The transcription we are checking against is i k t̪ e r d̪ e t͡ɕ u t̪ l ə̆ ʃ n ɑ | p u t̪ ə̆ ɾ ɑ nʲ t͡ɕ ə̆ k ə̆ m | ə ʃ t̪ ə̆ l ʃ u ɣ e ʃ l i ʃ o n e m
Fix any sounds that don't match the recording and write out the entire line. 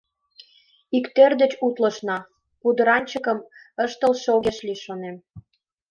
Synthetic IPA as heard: i k t̪ e r d̪ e t͡ɕ u t̪ l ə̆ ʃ n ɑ | p u d̪ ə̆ ɾ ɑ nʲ t͡ɕ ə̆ k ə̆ m | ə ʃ t̪ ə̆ l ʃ o ɣ e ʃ l i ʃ o n e m

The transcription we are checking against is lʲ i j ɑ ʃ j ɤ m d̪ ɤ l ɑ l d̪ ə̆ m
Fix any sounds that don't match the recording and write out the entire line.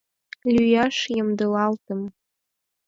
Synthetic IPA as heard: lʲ y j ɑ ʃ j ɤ m d̪ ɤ l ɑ l t̪ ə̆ m

